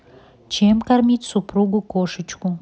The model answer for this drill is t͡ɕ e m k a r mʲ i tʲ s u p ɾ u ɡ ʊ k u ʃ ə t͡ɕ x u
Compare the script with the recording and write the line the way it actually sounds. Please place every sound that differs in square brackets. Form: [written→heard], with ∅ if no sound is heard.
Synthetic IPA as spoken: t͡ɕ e m k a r mʲ i tʲ s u p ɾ u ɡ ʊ k [u→o] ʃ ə t͡ɕ [x→k] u